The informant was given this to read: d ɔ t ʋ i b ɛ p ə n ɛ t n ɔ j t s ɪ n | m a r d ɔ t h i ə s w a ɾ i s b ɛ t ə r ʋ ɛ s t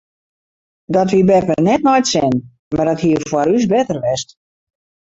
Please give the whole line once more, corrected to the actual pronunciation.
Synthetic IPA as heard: d ɔ t ʋ i b ɛ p ə n ɛ t n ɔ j t s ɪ n | m a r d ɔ t h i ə f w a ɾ y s b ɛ t ə r ʋ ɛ s t